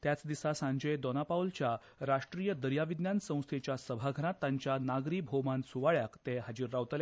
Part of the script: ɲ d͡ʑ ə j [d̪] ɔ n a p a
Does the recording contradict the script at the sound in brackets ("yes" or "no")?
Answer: no